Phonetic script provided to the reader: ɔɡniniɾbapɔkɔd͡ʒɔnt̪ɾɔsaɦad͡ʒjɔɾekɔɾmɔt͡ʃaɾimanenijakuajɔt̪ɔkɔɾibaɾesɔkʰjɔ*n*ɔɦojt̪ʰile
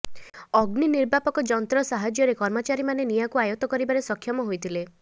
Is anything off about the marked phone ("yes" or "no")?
yes